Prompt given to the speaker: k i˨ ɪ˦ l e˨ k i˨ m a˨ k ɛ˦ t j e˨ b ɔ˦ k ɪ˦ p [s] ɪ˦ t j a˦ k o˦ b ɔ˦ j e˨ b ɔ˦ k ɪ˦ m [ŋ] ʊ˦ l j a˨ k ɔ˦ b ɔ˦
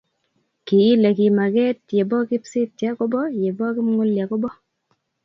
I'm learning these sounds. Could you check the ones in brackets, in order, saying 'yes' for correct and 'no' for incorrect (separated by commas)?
yes, yes